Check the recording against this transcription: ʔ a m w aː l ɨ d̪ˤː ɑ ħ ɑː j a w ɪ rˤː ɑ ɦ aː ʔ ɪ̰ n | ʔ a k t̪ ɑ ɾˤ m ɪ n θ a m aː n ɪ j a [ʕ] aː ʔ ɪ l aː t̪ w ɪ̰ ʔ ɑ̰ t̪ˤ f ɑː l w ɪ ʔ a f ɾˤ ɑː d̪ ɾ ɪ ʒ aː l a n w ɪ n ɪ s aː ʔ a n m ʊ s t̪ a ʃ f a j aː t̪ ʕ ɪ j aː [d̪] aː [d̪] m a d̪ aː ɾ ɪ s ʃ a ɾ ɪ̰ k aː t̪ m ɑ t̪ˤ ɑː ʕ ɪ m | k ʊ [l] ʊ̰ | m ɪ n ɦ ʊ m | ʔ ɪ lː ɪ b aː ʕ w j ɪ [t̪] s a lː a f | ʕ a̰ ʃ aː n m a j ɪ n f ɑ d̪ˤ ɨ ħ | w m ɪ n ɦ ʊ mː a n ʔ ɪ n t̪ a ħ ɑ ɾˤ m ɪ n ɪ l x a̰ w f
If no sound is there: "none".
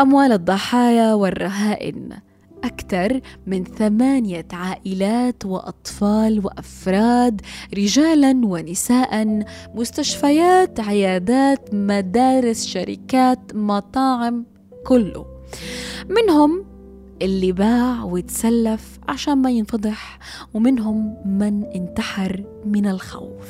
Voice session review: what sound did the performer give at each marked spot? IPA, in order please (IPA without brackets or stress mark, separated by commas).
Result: ʕ, d̪, t̪, lː, t̪